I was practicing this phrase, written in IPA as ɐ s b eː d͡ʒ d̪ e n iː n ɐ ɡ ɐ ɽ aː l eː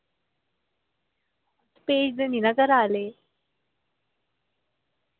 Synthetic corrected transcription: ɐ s p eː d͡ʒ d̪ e n i n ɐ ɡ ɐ ɾ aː l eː